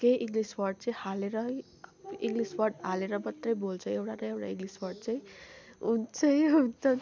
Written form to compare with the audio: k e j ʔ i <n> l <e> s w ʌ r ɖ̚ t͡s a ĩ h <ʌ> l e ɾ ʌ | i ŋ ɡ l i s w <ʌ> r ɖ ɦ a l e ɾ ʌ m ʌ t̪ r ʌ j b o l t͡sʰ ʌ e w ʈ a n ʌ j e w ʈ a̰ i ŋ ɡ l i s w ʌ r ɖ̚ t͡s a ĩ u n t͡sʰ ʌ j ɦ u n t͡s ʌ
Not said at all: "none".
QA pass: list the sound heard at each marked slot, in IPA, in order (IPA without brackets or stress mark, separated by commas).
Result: ŋ, i, a, ʌ